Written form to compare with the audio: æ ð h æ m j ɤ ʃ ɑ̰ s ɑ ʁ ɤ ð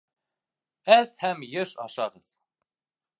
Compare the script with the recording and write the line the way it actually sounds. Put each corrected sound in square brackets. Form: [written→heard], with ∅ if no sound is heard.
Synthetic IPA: æ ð h æ m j ɤ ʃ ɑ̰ [s→ʃ] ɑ ʁ ɤ ð

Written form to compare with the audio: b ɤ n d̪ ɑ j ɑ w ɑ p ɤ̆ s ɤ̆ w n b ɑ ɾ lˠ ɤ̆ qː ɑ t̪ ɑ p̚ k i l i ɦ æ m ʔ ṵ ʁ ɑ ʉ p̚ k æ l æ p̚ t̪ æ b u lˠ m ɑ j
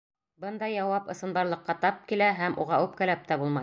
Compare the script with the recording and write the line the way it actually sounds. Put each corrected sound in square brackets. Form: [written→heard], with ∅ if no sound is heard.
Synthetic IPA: b ɤ n d̪ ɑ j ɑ w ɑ p ɤ̆ s ɤ̆ [w→∅] n b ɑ ɾ lˠ ɤ̆ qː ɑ t̪ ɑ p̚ k i l [i→æ] ɦ æ m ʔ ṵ ʁ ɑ ʉ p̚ k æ l æ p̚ t̪ æ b u lˠ m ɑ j

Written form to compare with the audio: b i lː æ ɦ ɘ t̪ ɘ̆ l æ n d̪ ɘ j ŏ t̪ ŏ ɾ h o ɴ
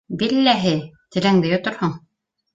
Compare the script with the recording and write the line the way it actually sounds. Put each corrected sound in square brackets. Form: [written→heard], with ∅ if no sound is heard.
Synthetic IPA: b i lː æ ɦ ɘ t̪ ɘ̆ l æ [n→ŋ] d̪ ɘ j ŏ t̪ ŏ ɾ h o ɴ

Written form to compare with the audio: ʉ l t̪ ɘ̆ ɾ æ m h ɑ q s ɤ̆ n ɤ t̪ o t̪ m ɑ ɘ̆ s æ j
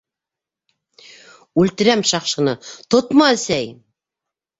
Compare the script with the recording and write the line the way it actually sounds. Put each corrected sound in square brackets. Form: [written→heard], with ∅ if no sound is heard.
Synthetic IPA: ʉ l t̪ ɘ̆ ɾ æ m [h→ʃ] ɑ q [s→ʃ] ɤ̆ n ɤ t̪ o t̪ m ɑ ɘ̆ s æ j

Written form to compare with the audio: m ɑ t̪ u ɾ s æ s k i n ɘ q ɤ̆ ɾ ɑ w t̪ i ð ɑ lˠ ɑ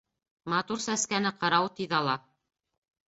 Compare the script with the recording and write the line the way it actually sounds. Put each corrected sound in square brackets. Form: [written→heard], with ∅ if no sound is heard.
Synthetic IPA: m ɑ t̪ u ɾ s æ s k [i→æ] n ɘ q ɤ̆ ɾ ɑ w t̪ i ð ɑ lˠ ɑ

